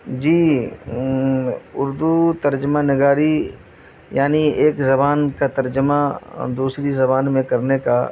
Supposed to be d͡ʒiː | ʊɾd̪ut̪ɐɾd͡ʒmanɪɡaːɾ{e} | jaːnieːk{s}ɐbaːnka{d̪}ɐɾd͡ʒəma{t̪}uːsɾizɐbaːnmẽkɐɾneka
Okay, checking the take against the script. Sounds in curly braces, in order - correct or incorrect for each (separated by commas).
incorrect, incorrect, incorrect, incorrect